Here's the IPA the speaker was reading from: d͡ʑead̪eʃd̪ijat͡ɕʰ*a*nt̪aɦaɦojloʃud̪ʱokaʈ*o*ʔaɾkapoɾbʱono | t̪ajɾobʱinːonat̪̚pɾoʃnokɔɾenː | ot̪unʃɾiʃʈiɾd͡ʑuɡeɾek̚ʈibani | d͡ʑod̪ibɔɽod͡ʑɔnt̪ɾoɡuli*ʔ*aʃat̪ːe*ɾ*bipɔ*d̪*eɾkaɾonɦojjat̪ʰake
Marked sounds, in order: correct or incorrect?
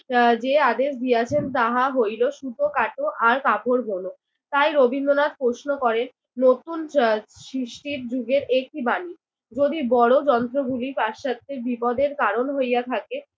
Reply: incorrect, correct, incorrect, correct, correct

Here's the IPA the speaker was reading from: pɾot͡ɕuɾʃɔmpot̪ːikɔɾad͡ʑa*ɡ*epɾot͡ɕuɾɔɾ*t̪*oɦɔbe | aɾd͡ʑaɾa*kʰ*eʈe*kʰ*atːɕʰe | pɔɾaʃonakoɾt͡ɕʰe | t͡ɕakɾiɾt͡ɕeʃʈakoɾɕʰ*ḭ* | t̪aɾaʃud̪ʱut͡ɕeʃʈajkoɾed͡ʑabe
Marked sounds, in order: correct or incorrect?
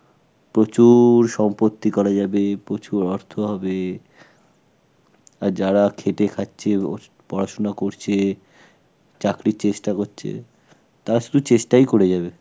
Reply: incorrect, incorrect, correct, correct, incorrect

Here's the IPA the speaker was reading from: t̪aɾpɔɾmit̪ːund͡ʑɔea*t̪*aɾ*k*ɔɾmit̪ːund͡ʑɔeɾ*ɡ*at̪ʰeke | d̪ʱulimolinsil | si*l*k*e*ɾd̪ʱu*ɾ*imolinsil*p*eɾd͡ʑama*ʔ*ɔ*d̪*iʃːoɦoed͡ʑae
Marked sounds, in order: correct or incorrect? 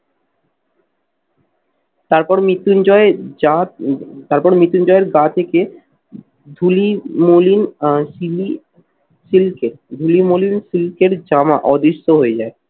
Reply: correct, incorrect, correct, correct, correct, incorrect, incorrect, correct, correct

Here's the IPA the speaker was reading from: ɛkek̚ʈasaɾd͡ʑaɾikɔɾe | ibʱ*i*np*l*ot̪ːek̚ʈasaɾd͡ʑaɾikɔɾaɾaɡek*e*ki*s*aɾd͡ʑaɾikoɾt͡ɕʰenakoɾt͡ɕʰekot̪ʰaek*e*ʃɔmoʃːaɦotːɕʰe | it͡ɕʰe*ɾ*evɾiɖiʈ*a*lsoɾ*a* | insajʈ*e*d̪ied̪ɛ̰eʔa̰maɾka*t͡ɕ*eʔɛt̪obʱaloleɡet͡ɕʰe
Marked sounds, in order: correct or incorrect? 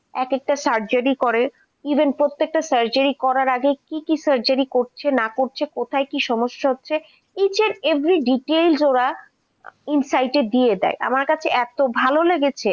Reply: incorrect, incorrect, incorrect, correct, incorrect, correct, incorrect, correct, correct, incorrect

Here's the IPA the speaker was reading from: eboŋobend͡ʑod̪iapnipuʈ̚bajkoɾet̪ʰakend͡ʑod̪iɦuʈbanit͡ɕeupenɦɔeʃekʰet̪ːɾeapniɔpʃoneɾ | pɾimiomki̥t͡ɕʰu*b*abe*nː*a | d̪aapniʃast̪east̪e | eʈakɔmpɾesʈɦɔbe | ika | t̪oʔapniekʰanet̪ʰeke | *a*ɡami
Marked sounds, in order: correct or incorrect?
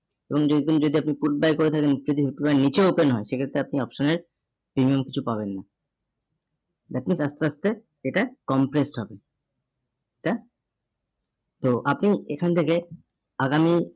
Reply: incorrect, correct, correct

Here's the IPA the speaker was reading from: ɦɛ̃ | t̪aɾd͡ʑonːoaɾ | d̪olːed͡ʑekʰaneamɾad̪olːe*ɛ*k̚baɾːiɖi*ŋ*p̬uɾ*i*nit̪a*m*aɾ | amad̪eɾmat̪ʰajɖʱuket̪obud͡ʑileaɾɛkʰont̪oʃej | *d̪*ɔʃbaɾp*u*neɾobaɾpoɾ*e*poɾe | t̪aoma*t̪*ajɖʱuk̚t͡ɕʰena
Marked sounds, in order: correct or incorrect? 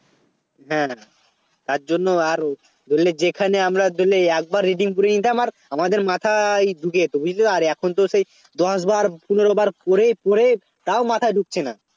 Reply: correct, correct, incorrect, correct, correct, correct, correct, incorrect

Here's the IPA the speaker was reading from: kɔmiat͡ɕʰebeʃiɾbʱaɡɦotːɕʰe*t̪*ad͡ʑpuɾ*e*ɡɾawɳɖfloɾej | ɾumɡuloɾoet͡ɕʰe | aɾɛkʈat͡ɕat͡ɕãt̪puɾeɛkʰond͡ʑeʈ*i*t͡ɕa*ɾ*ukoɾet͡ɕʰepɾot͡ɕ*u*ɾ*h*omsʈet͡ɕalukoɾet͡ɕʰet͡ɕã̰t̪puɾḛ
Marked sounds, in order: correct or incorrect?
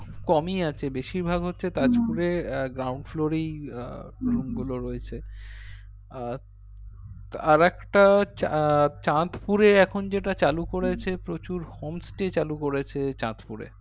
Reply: correct, correct, incorrect, incorrect, correct, correct

